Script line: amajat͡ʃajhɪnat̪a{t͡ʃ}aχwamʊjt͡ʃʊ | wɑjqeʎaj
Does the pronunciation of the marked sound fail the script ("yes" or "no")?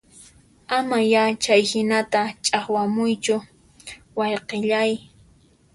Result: yes